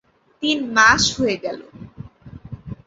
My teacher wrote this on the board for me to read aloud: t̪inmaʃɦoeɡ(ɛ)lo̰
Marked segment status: correct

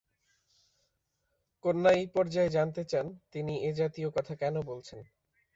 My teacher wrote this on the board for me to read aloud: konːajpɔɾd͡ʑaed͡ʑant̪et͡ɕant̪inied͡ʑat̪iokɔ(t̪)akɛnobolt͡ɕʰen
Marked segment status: incorrect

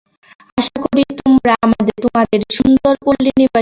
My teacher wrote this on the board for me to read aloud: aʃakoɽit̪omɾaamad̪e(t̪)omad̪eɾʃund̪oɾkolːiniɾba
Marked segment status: correct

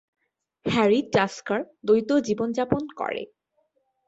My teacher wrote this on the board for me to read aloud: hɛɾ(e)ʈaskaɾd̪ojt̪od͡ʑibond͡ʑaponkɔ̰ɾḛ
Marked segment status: incorrect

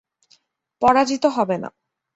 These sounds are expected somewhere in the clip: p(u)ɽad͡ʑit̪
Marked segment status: incorrect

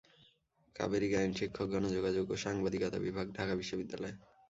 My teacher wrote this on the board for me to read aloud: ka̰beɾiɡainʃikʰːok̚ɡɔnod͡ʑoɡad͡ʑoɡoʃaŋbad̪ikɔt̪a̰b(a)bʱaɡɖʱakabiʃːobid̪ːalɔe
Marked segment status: incorrect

